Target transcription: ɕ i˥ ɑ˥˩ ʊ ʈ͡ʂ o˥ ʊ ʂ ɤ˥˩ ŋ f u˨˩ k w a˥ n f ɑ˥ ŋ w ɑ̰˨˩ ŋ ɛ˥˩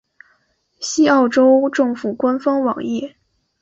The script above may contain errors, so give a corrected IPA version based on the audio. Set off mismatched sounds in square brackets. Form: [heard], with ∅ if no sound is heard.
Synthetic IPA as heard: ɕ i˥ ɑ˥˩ ʊ ʈ͡ʂ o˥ ʊ [ʈ͡ʂ] ɤ˥˩ ŋ f u˨˩ k w a˥ n f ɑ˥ ŋ w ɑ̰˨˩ ŋ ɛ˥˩